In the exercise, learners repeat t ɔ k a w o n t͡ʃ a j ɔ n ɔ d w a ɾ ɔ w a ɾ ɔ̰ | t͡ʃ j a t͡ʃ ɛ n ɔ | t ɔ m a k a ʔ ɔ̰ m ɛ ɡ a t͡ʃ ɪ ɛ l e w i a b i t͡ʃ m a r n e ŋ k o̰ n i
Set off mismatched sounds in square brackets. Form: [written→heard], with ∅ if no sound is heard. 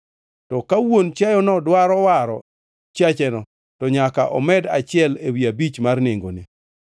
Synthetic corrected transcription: t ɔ k a w o n t͡ʃ a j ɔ n ɔ d w a ɾ ɔ w a ɾ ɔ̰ | t͡ʃ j a t͡ʃ ɛ n ɔ | t ɔ [m→ɲ] a k a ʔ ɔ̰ m ɛ [ɡ→d] a t͡ʃ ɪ ɛ l e w i a b i t͡ʃ m a r n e ŋ [k→ɡ] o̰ n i